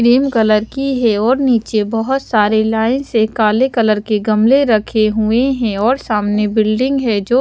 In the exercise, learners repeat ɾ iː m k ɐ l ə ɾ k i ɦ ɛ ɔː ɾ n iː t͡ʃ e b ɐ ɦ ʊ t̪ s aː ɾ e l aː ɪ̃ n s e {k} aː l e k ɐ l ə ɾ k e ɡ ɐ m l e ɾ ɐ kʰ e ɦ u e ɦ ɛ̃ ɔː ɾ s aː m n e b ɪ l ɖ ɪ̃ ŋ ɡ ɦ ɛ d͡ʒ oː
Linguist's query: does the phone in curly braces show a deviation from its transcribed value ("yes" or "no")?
no